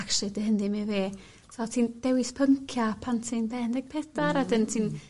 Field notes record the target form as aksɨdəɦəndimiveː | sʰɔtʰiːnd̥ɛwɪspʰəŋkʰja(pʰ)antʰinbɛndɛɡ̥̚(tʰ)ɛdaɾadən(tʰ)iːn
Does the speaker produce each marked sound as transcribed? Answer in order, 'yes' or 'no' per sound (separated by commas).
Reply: yes, no, yes